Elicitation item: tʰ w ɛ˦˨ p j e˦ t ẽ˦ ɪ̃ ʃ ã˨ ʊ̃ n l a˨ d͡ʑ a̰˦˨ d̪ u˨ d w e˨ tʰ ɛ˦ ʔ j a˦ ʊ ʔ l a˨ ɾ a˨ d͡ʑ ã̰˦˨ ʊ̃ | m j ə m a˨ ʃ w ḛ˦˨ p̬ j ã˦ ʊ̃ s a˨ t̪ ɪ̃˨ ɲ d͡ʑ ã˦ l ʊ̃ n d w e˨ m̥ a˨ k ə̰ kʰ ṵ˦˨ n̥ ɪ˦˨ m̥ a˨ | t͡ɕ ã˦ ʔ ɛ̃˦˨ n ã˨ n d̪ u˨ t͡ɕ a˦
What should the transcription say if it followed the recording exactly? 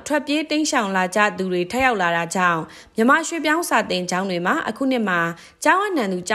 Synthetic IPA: tʰ w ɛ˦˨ p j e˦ t ẽ˦ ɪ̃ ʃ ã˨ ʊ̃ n l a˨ d͡ʑ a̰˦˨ d̪ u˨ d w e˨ tʰ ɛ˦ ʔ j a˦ ʊ ʔ l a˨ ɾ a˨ d͡ʑ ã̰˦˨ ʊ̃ | m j ə m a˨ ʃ w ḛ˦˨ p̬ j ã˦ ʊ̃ s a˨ t̪ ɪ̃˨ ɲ d͡ʑ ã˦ ʊ̃ n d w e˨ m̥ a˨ ʔ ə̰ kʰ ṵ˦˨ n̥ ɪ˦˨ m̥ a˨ | t͡ɕ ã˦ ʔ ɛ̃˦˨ n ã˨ n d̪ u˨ t͡ɕ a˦